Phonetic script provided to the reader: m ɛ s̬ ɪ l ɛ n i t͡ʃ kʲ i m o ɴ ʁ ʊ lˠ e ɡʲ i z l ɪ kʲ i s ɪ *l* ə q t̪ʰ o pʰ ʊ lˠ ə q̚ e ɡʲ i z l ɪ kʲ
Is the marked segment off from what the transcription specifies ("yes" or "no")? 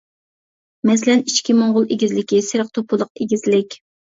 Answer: yes